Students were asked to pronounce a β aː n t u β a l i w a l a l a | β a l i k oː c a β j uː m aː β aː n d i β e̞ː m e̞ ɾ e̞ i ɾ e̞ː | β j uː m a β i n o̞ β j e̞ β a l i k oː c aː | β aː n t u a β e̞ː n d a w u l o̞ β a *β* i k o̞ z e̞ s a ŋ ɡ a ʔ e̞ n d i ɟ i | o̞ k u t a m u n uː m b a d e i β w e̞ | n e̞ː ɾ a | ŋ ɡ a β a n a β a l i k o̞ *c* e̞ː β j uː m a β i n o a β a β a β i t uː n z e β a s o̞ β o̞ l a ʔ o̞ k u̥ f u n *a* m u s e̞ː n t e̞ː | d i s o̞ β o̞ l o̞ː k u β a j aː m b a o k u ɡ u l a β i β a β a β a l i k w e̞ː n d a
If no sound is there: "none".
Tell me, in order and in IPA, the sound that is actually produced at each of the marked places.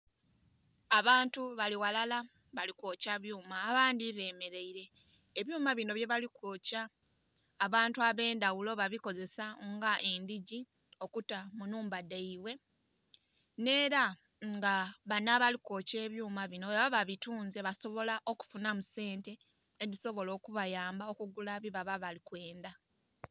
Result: β, c, a

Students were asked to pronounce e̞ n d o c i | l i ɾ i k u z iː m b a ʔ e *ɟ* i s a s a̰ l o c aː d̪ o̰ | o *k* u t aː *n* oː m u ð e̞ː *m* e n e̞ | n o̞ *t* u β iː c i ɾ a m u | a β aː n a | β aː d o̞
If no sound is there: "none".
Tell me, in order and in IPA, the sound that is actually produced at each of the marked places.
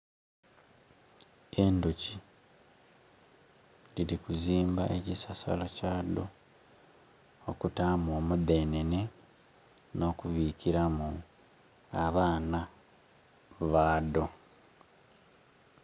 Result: c, k, m, n, k

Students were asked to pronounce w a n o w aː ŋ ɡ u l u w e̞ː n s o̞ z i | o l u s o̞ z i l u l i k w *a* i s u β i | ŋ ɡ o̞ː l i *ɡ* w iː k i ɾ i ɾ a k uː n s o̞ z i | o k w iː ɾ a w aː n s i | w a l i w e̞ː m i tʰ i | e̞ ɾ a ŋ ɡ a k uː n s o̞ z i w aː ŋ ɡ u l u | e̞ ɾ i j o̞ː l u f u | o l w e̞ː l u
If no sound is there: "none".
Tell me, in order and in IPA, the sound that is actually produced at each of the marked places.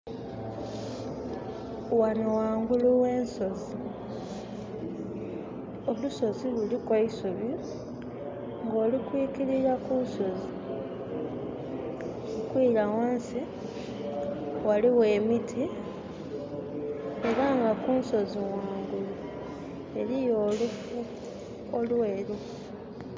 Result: a, k

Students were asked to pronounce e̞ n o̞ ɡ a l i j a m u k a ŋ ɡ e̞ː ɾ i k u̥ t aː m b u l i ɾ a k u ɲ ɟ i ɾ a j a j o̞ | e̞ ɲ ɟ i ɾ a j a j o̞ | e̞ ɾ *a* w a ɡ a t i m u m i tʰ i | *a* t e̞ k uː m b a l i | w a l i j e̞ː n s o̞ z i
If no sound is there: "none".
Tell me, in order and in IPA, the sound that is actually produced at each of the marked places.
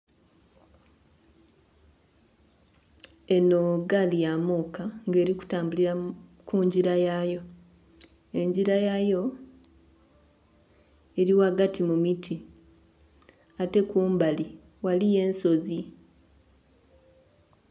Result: i, a

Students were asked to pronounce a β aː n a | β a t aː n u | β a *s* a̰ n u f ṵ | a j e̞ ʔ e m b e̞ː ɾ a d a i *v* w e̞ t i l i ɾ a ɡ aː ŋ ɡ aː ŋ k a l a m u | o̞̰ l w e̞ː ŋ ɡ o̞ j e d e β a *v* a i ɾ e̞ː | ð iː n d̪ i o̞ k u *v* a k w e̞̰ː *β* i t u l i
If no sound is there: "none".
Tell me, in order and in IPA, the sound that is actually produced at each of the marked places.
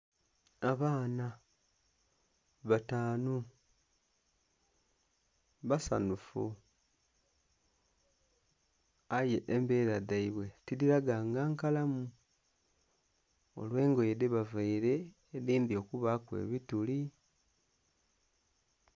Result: s, β, v, β, β

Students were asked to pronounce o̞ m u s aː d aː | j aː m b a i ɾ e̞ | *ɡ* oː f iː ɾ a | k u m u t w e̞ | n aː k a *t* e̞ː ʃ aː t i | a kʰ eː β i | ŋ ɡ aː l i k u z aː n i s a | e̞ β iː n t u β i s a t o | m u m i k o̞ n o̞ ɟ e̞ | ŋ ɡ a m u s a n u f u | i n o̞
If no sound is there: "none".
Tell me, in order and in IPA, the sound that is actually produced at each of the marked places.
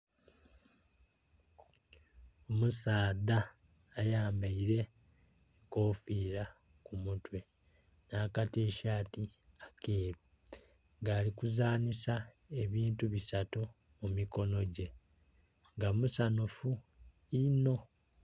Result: k, t

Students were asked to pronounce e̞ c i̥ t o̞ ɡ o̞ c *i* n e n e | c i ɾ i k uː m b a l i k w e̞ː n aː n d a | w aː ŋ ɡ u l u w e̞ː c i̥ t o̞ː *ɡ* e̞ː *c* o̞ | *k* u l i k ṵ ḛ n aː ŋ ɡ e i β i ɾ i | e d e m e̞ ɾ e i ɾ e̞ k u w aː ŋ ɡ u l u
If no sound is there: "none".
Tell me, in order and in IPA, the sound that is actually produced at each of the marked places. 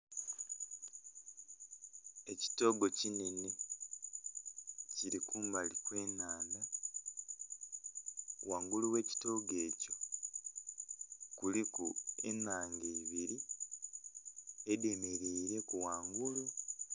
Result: i, ɡ, c, k

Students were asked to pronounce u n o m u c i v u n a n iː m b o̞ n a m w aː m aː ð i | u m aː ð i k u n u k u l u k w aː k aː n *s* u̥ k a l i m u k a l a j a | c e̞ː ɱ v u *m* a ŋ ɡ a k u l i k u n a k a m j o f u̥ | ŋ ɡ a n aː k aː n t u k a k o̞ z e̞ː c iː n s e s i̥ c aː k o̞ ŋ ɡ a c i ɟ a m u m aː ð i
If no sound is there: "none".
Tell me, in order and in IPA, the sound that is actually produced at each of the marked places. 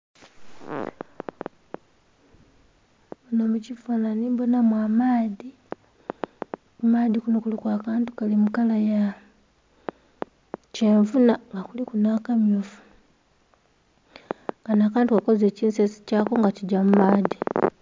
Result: t, n

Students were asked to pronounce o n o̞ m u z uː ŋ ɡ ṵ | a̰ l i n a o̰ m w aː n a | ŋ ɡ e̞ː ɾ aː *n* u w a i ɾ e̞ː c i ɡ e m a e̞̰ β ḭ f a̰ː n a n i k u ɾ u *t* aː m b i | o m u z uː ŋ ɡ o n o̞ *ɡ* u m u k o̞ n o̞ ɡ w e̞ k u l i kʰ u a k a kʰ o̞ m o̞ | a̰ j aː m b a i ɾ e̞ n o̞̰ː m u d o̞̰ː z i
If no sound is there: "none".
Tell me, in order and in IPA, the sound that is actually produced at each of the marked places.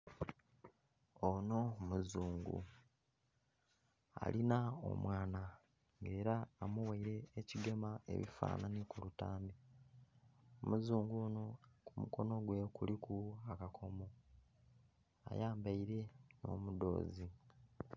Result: m, t, k

